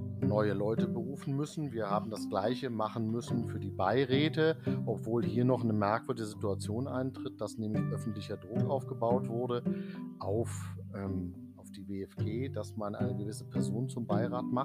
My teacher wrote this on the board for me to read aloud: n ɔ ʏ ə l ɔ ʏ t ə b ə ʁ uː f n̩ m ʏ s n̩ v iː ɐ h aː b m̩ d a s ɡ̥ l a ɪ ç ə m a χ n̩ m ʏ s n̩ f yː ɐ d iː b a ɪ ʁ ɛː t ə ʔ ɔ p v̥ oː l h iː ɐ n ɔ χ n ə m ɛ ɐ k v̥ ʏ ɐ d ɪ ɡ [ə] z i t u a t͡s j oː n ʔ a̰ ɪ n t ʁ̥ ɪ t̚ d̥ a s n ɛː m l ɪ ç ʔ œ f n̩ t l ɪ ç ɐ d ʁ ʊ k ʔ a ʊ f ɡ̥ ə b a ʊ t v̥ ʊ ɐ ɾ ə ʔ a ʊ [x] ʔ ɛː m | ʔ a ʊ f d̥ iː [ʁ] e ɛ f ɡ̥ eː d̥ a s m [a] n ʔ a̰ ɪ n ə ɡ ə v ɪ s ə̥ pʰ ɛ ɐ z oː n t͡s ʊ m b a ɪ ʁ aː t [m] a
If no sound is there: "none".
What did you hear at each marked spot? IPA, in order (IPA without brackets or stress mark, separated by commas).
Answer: ə, f, v, a, m